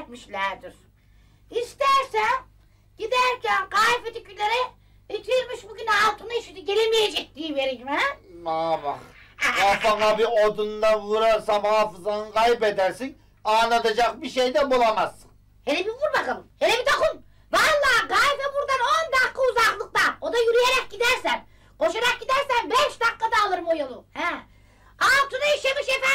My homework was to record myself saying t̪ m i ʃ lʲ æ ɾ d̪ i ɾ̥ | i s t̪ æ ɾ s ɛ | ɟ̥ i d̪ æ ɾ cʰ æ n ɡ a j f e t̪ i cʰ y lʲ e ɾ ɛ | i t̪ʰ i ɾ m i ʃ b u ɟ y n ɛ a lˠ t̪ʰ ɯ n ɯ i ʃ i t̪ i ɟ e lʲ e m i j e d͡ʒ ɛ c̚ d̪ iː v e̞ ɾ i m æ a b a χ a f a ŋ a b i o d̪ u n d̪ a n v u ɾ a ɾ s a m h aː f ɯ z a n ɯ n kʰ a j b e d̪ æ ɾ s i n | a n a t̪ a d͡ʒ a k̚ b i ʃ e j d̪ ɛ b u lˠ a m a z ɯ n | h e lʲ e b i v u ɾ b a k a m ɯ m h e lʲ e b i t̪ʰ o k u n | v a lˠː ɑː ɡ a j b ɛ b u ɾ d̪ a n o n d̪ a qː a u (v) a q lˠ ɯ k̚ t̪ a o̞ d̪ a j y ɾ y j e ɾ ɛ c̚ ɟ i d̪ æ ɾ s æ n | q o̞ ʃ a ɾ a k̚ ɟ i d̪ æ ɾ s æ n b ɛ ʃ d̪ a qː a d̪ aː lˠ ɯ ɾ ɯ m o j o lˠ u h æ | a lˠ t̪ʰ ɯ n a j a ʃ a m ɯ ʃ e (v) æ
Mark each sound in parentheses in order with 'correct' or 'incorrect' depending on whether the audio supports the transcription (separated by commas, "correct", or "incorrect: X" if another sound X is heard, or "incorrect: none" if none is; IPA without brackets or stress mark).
incorrect: z, incorrect: f